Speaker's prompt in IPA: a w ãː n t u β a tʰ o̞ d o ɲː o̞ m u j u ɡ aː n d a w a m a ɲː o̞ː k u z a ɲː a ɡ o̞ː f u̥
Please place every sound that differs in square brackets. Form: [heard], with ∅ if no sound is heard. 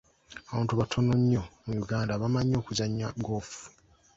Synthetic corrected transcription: a [β] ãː n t u β a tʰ o̞ [n] o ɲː o̞ m u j u ɡ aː n d a [β] a m a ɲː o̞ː k u z a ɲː a ɡ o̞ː f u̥